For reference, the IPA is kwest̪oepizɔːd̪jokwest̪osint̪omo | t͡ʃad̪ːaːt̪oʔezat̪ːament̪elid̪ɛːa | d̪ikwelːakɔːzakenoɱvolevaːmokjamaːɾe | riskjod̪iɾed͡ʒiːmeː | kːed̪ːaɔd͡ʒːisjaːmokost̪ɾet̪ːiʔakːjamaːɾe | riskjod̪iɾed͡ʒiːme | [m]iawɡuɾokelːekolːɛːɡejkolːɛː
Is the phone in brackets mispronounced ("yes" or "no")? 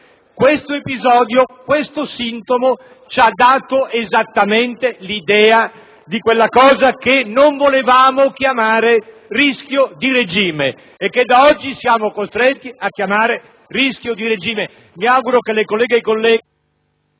no